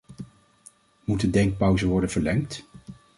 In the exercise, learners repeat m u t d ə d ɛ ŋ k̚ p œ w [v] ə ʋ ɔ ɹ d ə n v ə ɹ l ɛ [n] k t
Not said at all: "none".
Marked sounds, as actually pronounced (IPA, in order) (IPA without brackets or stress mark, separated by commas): z, ŋ